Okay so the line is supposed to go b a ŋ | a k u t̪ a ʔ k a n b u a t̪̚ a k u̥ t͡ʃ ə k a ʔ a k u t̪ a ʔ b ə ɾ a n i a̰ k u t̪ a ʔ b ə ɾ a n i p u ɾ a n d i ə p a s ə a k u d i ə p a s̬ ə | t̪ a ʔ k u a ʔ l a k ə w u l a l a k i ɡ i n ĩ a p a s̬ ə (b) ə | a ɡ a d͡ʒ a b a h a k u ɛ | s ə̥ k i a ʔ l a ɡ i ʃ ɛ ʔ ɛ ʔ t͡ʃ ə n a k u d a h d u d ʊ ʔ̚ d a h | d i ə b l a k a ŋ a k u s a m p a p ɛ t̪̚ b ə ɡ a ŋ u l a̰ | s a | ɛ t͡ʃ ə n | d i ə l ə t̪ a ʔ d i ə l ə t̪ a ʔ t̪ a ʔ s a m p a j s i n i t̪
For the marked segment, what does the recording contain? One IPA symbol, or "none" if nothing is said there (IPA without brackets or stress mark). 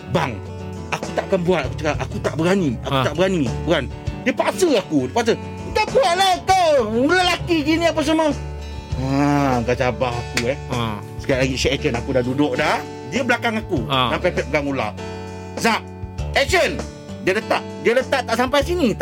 m